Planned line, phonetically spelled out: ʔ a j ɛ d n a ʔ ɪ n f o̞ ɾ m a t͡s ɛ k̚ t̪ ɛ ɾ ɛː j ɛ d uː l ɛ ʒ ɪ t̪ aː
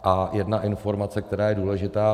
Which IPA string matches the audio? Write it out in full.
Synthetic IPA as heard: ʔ a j ɛ d n a ʔ ɪ n f o̞ ɾ m a t͡s ɛ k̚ t̪ ɛ ɾ aː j ɛ d uː l ɛ ʒ ɪ t̪ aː